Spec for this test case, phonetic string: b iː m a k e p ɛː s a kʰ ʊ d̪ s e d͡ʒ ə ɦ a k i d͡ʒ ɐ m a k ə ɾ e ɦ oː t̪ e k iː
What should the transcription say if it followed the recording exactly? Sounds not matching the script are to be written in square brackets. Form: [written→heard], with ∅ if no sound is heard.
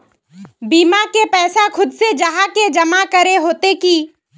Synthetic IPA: b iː m a k e p ɛː s a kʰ ʊ d̪ s e d͡ʒ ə ɦ a k [i→e] d͡ʒ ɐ m a k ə ɾ e ɦ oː t̪ e k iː

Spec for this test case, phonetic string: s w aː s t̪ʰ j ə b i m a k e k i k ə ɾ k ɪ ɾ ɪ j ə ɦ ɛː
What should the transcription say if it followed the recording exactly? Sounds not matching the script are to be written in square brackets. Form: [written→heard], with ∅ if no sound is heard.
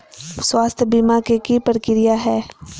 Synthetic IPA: s w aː s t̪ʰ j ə b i m a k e k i [k→p] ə ɾ k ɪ ɾ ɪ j [ə→a] ɦ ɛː

